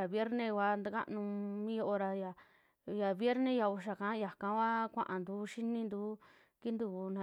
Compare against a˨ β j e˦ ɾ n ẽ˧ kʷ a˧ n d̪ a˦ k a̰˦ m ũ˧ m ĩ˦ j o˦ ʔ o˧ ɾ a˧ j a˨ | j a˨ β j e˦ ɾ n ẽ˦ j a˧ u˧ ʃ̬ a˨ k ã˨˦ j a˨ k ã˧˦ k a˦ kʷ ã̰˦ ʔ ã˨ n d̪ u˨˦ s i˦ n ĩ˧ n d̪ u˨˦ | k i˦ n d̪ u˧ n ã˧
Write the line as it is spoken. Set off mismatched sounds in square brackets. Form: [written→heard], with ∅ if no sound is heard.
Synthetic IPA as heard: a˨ β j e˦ ɾ n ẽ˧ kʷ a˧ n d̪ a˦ k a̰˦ [m→n] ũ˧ m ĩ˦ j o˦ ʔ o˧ ɾ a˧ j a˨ | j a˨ β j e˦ ɾ n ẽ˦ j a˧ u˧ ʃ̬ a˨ k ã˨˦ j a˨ k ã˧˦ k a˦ kʷ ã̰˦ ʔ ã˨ n d̪ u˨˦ [s→ʃ] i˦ n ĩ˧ n d̪ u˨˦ | k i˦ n d̪ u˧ n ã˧